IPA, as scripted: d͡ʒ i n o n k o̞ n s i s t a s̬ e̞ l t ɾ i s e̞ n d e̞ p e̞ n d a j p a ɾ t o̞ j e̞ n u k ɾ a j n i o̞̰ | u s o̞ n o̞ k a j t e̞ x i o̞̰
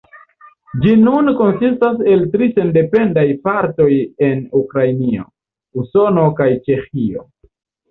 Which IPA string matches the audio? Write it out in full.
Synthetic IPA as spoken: d͡ʒ i n u n k o̞ n s i s t a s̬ e̞ l t ɾ i s e̞ n d e̞ p e̞ n d a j p a ɾ t o̞ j e̞ n u k ɾ a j n i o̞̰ | u s o̞ n o̞ k a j t͡ʃ e̞ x i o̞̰